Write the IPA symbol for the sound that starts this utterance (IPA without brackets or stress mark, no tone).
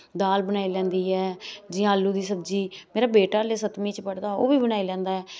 d̪